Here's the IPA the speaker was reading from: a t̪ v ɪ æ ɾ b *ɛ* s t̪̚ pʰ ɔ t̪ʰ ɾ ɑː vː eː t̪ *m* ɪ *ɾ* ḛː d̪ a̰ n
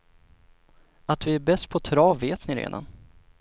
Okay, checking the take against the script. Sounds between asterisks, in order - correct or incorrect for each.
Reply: correct, incorrect: n, correct

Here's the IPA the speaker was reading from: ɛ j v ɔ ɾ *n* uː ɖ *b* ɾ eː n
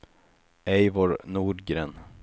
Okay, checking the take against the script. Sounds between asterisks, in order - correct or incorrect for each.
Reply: correct, incorrect: ɡ

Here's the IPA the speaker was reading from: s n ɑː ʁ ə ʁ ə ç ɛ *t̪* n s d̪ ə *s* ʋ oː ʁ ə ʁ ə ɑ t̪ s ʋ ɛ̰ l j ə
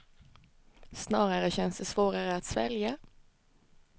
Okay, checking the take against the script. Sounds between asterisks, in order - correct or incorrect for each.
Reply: incorrect: none, correct

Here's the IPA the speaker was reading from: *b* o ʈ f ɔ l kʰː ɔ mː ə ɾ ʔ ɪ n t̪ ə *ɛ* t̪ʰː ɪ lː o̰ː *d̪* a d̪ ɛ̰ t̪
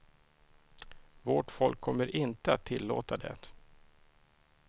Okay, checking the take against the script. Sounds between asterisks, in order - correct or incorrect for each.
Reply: incorrect: v, incorrect: a, incorrect: t̪

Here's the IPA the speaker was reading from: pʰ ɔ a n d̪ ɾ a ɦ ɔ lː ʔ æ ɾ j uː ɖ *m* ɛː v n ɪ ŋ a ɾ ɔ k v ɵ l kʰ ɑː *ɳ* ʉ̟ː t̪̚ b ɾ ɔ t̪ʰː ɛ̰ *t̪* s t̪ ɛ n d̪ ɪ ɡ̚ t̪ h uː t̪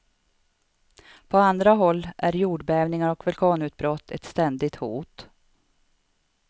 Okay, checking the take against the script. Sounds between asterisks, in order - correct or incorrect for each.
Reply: incorrect: b, incorrect: n, correct

